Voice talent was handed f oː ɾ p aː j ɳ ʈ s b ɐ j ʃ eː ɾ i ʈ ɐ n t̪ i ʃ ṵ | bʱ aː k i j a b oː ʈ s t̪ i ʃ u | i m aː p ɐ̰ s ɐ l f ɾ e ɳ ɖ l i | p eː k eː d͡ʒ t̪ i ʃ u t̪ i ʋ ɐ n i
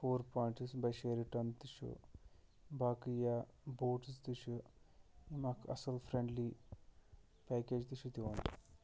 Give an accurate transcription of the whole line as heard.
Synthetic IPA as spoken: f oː ɾ p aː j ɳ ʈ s b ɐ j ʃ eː ɾ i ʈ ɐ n t̪ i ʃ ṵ | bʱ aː k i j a b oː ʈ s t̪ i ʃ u | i m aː k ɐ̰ s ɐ l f ɾ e ɳ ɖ l i | p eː k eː d͡ʒ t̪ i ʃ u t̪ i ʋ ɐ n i